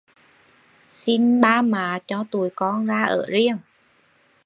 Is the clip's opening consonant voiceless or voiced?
voiceless